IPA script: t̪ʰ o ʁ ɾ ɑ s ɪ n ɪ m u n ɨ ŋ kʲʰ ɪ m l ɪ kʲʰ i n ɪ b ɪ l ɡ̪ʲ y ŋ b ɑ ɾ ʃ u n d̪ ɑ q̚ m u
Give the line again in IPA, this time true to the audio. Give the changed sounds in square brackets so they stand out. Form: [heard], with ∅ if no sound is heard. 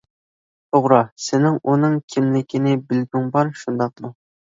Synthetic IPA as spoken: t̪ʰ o ʁ ɾ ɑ s ɪ n ɪ [ŋ] u n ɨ ŋ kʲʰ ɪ m l ɪ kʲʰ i n ɪ b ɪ l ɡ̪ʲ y ŋ b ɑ ɾ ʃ u n d̪ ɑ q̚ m u